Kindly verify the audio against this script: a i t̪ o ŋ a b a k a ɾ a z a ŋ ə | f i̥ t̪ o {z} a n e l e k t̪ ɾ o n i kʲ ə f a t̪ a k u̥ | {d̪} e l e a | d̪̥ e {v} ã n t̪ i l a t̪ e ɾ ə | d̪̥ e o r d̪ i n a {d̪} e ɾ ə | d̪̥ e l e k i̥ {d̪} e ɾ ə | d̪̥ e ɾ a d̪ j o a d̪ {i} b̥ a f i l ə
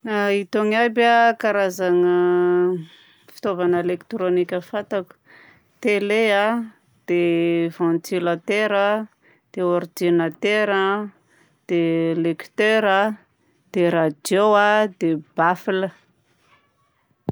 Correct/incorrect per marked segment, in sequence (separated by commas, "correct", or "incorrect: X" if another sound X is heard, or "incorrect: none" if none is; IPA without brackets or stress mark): incorrect: v, incorrect: t̪, correct, incorrect: t̪, incorrect: t̪, incorrect: e